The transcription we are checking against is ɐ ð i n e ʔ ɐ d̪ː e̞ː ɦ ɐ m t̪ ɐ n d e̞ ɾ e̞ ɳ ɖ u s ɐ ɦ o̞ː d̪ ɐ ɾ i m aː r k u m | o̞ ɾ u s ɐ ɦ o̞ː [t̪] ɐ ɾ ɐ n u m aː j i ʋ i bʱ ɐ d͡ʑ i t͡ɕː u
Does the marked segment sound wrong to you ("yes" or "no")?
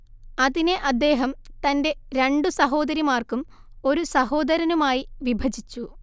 yes